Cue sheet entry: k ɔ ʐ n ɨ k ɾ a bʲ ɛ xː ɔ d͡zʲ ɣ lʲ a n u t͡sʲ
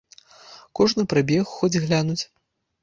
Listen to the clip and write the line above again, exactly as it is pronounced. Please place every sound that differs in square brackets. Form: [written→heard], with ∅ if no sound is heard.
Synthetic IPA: k ɔ ʐ n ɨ [k→p] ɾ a bʲ ɛ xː ɔ d͡zʲ ɣ lʲ a n u t͡sʲ